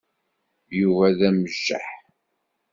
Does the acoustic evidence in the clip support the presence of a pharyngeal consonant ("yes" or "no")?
yes